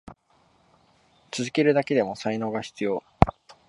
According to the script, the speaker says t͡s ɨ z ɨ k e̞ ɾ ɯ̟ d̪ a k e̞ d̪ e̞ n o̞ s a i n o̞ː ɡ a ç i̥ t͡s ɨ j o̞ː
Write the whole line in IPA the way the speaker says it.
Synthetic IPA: t͡s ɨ z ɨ k e̞ ɾ ɯ̟ d̪ a k e̞ d̪ e̞ m o̞ s a i n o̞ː ɡ a ç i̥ t͡s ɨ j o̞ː